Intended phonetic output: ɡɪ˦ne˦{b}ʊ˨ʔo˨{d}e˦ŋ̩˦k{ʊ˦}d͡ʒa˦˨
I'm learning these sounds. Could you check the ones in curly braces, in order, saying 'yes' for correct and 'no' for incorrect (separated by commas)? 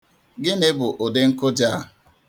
yes, yes, yes